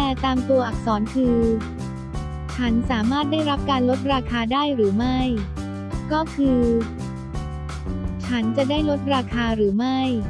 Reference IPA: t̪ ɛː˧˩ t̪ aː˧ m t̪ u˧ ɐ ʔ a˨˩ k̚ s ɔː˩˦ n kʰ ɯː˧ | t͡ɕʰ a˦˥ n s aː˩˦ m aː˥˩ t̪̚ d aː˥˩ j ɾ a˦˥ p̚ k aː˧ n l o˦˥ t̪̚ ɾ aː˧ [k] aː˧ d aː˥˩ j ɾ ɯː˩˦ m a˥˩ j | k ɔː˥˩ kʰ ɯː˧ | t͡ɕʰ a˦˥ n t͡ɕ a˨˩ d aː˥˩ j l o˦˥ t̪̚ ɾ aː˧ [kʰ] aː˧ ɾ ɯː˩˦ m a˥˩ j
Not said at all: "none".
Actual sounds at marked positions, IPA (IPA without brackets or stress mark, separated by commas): kʰ, kʰ